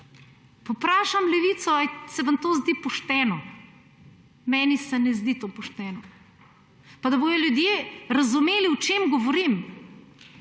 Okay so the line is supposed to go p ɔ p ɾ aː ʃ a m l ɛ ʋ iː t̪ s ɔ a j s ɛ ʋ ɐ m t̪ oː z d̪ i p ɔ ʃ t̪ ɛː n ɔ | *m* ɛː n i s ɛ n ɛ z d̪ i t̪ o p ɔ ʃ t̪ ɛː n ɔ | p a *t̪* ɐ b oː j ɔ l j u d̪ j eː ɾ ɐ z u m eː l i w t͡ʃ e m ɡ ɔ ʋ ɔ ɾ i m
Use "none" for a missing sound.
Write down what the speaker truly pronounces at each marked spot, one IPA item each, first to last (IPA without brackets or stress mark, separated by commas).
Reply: m, d̪